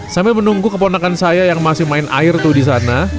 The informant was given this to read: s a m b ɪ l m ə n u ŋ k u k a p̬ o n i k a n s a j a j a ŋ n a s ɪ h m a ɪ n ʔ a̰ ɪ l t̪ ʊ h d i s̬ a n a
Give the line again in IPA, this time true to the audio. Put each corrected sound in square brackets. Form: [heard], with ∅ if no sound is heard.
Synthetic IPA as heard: s a m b ɪ l m ə n u ŋ [ɡ] u k [ə] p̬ o n [a] k a n s a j a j a ŋ [m] a s ɪ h m a ɪ n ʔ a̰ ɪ [r] t̪ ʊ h d i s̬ a n a